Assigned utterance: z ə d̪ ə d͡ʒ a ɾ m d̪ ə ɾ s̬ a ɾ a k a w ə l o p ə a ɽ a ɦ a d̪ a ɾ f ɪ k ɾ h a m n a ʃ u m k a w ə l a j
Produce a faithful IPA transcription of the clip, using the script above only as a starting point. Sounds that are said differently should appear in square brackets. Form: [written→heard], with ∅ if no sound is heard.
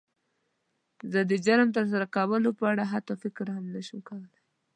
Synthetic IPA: z ə d̪ ə d͡ʒ a ɾ m [d̪→t̪] ə ɾ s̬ a ɾ a k a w ə l o p ə a ɽ a ɦ a [d̪→t̪] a [ɾ→∅] f ɪ k ɾ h a m n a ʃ u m k a w ə l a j